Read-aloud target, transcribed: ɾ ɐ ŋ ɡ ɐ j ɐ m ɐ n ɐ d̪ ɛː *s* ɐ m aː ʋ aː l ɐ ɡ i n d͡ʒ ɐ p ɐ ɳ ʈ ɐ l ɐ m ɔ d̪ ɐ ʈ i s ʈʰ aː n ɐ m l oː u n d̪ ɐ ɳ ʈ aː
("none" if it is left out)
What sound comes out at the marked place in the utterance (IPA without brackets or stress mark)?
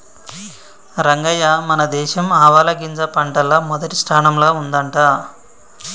ʃ